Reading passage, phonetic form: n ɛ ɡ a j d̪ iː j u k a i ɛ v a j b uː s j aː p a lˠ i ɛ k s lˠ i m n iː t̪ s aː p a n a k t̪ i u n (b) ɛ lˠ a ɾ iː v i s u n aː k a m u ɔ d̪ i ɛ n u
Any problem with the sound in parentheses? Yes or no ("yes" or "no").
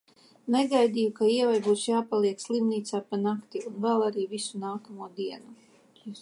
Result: yes